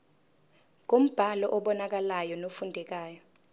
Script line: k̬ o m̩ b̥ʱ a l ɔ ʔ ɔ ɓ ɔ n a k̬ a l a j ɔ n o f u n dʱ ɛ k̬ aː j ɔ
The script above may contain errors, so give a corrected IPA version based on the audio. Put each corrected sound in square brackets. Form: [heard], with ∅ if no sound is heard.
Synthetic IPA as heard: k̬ o m̩ b̥ʱ a l ɔ ʔ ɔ ɓ ɔ n a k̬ a l a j ɔ n o f u n dʱ ɛ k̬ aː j ɔ